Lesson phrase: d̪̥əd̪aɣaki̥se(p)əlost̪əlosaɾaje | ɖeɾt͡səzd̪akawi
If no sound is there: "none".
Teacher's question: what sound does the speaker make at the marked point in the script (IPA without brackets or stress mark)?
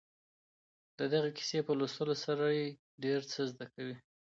p